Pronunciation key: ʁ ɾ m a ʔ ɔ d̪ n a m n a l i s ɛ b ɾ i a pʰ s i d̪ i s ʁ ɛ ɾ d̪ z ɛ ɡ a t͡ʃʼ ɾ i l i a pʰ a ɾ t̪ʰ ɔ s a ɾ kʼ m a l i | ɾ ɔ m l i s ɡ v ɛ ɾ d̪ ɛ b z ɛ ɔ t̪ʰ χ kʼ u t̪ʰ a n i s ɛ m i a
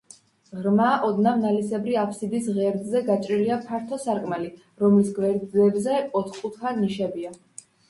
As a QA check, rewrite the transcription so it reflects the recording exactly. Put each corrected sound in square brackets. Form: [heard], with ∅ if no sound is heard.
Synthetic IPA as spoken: ʁ ɾ m a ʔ ɔ d̪ n a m n a l i s ɛ b ɾ i a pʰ s i d̪ i s ʁ ɛ ɾ d̪ z ɛ ɡ a t͡ʃʼ ɾ i l i a pʰ a ɾ t̪ʰ ɔ s a ɾ kʼ m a l i | ɾ ɔ m l i s ɡ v ɛ ɾ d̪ ɛ b z ɛ ɔ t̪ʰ χ kʼ u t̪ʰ a n i [ʃ] ɛ [b] i a